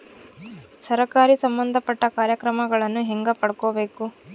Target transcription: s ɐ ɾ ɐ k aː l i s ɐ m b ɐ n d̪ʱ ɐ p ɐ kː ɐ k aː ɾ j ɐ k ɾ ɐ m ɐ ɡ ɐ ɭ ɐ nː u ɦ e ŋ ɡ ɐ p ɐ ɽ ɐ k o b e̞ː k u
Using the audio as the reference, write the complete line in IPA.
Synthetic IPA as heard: s ɐ ɾ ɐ k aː ɾ i s ɐ m b ɐ n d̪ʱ ɐ p ɐ ʈː ɐ k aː ɾ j ɐ k ɾ ɐ m ɐ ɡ ɐ ɭ ɐ nː u ɦ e ŋ ɡ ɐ p ɐ ɽ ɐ k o b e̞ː k u